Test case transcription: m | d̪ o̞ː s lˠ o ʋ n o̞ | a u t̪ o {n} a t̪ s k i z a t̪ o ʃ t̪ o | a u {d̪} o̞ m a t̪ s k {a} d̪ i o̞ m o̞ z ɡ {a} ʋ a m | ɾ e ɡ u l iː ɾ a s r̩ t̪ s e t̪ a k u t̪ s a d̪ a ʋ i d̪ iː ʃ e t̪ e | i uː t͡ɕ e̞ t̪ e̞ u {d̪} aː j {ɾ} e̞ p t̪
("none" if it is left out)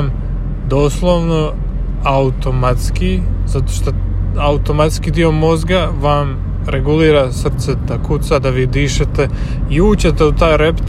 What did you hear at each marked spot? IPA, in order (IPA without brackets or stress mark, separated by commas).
m, t̪, i, a, t̪, ɾ